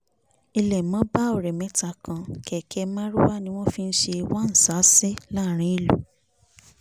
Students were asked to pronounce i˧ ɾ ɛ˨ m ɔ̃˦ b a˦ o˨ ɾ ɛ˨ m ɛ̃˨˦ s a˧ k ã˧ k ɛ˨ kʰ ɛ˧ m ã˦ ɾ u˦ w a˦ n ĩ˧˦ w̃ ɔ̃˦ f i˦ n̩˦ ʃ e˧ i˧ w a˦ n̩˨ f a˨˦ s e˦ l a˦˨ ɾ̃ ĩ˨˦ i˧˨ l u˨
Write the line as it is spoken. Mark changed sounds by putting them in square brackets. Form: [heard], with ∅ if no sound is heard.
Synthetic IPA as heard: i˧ [l] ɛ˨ m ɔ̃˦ b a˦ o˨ ɾ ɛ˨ m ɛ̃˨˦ [t] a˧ k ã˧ k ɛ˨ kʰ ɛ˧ m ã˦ ɾ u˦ w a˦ n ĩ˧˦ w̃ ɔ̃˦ f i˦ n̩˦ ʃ e˧ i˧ w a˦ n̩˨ [s] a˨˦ s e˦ l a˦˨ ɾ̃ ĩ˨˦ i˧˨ l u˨